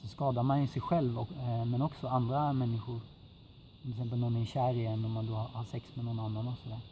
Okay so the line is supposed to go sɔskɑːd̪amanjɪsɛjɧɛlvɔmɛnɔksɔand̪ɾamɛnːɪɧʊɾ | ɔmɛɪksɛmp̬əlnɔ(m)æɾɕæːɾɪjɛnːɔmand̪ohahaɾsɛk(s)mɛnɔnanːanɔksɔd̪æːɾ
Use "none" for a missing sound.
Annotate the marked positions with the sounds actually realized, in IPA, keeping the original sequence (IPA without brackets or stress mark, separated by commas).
n, s